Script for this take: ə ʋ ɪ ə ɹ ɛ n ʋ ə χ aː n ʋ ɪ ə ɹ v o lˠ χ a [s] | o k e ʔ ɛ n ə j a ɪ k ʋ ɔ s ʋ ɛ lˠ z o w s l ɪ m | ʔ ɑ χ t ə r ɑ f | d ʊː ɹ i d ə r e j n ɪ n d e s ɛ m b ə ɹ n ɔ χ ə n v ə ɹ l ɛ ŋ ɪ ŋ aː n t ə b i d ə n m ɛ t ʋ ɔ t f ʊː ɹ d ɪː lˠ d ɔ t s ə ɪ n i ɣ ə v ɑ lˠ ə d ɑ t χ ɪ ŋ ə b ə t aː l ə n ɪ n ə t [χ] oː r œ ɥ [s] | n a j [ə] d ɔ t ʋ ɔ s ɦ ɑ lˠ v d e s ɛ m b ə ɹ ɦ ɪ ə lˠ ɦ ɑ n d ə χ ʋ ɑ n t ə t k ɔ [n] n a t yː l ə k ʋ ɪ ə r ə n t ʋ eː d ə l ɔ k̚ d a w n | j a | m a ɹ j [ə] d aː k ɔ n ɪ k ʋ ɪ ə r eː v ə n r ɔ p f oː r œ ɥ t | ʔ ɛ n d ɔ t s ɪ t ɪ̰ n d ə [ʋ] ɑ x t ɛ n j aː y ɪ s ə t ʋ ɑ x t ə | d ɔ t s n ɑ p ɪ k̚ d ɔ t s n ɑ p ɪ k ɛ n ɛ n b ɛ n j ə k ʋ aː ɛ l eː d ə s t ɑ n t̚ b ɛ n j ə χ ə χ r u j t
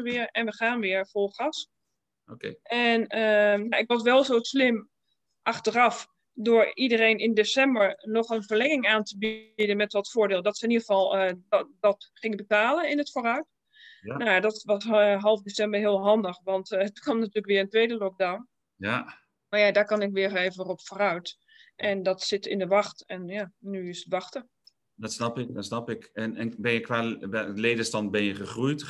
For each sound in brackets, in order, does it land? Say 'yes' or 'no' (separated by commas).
yes, no, no, no, no, no, yes